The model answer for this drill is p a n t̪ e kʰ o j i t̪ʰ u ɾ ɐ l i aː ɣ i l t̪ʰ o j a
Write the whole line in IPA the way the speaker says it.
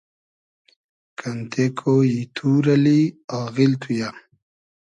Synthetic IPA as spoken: k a n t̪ e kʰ o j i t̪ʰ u ɾ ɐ l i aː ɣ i l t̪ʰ u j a

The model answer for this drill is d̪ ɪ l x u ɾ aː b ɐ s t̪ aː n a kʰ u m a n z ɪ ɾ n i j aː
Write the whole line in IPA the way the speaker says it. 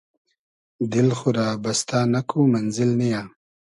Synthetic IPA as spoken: d̪ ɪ l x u ɾ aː b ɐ s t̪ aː n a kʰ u m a n z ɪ l n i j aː

